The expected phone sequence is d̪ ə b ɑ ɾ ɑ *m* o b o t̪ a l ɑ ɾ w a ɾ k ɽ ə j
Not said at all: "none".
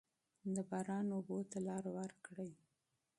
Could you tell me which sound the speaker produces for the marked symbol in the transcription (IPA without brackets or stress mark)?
n